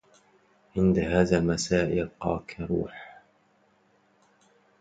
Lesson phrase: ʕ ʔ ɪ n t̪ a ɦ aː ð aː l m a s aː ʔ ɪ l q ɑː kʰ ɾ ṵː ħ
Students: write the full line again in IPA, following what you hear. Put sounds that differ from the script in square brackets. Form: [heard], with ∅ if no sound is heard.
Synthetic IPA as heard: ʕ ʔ ɪ n [d̪] a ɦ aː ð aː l m a s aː ʔ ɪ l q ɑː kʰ ɾ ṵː ħ